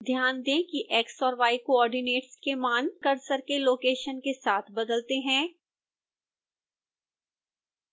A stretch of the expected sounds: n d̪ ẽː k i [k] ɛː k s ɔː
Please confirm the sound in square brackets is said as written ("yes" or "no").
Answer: no